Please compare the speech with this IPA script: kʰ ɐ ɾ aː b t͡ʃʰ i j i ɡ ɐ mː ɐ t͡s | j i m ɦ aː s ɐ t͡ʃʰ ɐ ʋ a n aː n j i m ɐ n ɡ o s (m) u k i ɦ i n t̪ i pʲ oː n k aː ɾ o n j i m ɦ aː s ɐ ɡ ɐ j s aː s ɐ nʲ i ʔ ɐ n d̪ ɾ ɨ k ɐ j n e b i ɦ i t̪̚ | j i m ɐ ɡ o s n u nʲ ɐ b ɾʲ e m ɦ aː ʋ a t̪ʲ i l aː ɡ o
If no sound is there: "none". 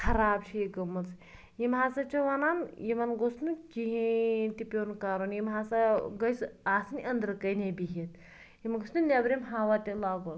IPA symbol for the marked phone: n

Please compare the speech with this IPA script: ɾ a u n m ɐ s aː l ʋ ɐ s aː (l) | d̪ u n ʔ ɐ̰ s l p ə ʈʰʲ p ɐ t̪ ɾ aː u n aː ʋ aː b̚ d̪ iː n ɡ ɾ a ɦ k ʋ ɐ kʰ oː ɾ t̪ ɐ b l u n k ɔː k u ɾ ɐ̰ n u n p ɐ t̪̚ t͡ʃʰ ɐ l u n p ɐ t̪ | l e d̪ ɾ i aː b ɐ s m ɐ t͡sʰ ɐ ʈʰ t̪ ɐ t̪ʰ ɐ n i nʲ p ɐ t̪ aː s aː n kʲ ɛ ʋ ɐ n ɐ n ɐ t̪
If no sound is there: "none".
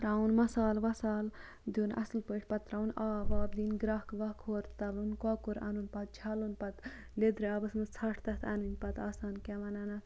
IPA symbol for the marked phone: l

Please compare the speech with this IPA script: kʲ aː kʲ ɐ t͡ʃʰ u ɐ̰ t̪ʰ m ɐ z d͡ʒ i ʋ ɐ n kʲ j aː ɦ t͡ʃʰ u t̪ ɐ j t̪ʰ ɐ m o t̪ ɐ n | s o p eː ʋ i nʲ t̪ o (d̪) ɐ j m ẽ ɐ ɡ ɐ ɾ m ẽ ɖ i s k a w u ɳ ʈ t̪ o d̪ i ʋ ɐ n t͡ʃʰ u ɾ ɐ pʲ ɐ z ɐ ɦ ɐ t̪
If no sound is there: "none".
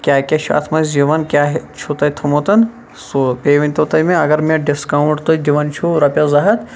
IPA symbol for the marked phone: t̪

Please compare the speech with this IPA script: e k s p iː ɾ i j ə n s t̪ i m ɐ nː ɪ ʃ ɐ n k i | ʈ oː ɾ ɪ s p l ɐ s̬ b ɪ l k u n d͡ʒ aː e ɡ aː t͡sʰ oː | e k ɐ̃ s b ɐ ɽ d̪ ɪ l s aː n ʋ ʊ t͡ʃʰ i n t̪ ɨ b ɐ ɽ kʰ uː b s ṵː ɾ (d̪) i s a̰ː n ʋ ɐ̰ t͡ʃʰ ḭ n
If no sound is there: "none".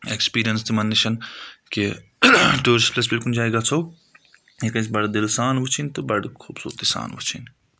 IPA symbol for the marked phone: t̪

